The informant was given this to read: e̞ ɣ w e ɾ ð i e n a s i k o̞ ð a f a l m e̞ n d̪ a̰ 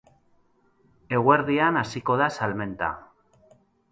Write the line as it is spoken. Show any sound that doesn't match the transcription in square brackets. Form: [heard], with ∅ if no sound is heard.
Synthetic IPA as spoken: e̞ ɣ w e ɾ ð i [a] n a s i k o̞ ð a [s] a l m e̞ n [t̪] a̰